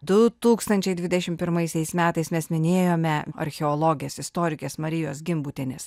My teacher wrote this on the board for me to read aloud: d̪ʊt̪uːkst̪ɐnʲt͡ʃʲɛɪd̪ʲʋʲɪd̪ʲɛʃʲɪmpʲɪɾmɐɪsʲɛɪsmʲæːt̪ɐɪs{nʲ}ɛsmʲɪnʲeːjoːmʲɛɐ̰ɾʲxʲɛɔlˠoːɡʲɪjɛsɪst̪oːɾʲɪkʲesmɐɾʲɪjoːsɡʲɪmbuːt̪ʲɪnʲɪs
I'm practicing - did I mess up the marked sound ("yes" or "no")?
yes